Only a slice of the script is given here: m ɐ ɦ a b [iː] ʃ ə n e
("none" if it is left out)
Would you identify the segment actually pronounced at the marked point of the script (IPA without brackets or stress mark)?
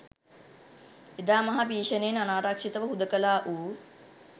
iː